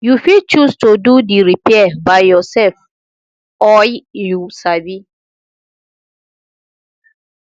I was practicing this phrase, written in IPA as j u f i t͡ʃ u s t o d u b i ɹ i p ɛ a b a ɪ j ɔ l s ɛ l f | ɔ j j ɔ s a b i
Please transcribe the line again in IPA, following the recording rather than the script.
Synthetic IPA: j u f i t͡ʃ u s t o d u d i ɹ i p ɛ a b a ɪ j ɔ s ɛ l f | ɔ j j u s a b i